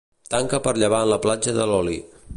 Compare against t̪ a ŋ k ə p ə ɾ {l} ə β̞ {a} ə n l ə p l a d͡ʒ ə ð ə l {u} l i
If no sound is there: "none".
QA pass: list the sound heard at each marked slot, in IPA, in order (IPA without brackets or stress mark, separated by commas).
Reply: ʎ, a, ɔ